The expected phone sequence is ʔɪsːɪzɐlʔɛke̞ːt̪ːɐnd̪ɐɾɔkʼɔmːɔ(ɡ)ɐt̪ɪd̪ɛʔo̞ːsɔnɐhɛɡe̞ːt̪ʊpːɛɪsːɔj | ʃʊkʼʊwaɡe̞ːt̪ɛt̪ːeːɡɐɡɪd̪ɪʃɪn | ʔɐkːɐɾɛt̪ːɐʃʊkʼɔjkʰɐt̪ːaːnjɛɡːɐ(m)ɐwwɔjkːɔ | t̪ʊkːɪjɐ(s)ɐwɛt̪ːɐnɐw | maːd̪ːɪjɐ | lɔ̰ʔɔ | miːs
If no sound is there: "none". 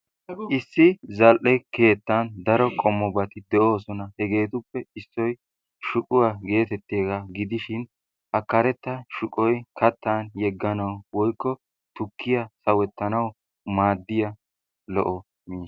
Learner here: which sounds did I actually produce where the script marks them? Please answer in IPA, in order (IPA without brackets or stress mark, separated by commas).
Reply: b, n, s